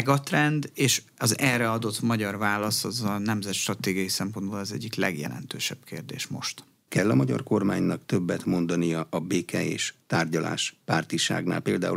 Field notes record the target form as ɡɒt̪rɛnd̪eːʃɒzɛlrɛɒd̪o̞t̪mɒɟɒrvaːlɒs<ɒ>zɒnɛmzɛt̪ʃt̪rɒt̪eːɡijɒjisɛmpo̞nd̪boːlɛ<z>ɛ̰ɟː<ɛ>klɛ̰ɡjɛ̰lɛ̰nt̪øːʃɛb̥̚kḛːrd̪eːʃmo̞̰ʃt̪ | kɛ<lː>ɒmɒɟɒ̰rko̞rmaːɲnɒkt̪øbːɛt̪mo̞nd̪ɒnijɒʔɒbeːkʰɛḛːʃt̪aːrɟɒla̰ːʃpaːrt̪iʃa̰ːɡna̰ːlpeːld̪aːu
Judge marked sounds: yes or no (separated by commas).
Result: yes, yes, no, yes